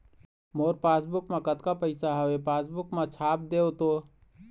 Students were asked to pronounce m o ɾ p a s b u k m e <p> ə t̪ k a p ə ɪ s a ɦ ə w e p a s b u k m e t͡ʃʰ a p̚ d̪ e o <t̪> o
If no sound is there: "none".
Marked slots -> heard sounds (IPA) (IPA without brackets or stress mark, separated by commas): k, t̪